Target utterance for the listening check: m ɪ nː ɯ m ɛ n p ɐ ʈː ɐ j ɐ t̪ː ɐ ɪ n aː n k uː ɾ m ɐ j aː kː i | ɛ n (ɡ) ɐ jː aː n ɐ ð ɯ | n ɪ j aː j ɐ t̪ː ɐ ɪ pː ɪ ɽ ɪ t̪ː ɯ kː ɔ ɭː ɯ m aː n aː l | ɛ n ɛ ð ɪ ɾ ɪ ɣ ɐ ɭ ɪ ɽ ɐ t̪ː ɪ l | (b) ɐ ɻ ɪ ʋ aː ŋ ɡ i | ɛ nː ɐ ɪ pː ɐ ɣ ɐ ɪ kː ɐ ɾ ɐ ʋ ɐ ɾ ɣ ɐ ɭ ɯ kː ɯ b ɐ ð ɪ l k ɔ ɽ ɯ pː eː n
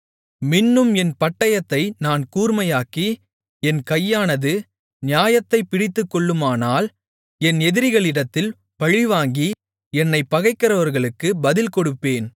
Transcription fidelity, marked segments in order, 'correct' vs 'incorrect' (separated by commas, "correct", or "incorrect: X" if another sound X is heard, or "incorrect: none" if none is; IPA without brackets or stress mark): incorrect: k, incorrect: p